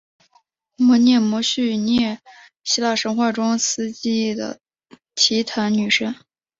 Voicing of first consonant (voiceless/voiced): voiced